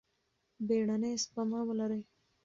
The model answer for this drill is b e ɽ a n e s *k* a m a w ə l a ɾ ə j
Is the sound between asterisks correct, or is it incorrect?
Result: incorrect